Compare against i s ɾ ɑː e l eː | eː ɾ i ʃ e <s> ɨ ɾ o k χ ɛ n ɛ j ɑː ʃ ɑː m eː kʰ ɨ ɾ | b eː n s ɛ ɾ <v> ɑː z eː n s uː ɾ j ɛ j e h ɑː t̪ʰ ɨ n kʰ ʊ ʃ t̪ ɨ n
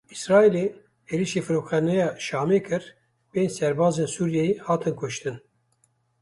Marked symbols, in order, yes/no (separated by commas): no, no